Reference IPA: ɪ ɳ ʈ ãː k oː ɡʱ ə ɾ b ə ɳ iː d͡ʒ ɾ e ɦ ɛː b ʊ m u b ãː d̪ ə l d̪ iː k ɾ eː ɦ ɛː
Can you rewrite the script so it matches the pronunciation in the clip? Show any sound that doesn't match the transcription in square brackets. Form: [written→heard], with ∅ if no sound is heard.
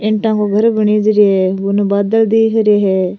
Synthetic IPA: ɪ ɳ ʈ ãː k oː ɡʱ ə ɾ b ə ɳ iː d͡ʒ ɾ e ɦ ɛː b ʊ [m→n] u b [ãː→aː] d̪ ə l d̪ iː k ɾ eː ɦ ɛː